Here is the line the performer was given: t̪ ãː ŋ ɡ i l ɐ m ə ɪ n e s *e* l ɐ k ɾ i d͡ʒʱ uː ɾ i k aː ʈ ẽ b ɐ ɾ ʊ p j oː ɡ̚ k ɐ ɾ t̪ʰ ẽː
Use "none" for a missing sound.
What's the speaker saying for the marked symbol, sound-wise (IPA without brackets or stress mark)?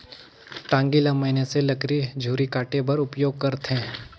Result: e